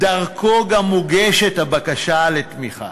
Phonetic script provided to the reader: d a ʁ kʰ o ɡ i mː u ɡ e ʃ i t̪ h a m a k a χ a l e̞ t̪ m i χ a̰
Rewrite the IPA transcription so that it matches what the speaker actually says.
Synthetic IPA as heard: d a ʁ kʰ o ɡ a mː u ɡ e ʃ e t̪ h a b a k a ʃ a l e̞ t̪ m i χ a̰